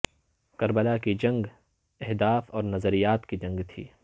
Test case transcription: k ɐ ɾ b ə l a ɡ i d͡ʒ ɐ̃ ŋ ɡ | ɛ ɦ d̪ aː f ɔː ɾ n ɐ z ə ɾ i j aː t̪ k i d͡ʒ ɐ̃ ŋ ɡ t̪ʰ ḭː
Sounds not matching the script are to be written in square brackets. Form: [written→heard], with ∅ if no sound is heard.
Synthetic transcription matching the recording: k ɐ ɾ b ə l a [ɡ→k] i d͡ʒ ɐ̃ ŋ ɡ | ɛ ɦ d̪ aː f ɔː ɾ n ɐ z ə ɾ i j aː t̪ k i d͡ʒ ɐ̃ ŋ ɡ t̪ʰ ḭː